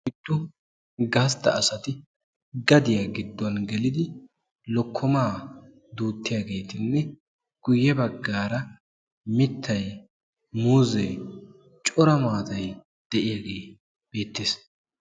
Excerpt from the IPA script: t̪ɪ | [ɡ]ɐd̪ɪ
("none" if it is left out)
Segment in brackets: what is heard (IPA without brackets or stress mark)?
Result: ɡ